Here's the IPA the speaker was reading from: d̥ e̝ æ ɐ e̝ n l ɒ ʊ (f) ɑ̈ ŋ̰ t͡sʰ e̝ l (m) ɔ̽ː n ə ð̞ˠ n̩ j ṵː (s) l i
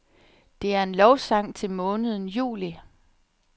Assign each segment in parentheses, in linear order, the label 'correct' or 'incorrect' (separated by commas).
incorrect, correct, incorrect